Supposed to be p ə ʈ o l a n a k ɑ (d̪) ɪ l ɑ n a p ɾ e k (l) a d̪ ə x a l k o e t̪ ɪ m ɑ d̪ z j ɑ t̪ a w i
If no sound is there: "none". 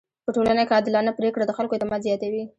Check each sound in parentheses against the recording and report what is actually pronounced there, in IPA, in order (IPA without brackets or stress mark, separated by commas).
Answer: d̪, ɽ